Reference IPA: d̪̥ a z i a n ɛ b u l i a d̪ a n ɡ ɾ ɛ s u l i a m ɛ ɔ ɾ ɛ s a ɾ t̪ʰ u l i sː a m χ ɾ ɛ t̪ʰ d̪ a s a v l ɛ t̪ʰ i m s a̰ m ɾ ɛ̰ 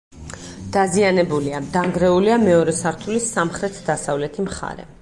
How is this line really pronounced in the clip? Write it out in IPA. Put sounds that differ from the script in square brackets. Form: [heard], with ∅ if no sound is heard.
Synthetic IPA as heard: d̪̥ a z i a n ɛ b u l i a d̪ a [ŋ] ɡ ɾ ɛ [∅] u l i a m ɛ ɔ ɾ ɛ s a ɾ t̪ʰ u l i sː a m χ ɾ ɛ t̪ʰ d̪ a s a v l ɛ t̪ʰ i m [χ] a̰ [∅] ɾ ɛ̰